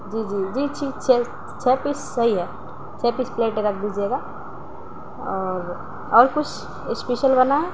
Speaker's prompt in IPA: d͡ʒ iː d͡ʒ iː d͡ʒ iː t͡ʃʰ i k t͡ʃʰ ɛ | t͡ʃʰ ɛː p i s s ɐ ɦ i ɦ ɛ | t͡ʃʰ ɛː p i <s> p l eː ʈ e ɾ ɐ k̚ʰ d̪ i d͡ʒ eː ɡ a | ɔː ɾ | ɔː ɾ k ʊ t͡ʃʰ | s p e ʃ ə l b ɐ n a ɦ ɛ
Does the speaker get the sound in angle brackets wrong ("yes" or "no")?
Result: no